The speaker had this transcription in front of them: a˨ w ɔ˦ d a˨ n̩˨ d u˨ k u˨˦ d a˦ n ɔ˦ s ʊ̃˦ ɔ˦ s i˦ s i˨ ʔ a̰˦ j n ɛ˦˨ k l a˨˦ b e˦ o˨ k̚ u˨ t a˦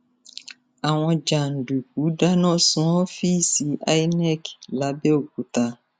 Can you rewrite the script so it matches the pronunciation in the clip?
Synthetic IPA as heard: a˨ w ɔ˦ d͡ʒ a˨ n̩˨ d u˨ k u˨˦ d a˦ n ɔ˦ s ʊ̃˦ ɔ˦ f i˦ s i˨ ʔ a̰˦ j n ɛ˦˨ k l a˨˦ b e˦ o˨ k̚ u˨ t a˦